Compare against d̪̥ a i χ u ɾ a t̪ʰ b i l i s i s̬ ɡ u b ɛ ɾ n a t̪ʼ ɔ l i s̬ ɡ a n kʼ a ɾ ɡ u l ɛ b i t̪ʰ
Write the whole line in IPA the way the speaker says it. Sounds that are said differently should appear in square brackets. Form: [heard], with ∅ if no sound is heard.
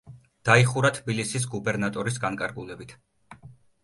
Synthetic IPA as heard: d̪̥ a i χ u ɾ a t̪ʰ b i l i s i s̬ ɡ u b ɛ ɾ n a t̪ʼ ɔ [ɾ] i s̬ ɡ a n kʼ a ɾ ɡ u l ɛ b i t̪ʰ